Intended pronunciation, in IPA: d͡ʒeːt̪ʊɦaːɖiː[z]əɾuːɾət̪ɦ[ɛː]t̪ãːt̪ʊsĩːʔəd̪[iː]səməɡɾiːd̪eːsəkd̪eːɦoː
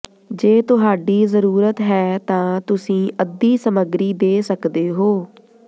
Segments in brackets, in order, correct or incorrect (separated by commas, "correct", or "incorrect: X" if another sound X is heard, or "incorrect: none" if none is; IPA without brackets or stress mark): correct, correct, correct